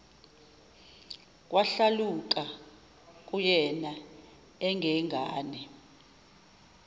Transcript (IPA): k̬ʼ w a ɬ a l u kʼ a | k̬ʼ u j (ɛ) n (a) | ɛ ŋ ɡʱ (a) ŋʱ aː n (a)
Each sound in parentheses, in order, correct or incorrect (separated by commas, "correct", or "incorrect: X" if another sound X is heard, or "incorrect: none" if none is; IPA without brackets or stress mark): correct, correct, incorrect: ɛ, incorrect: ɛ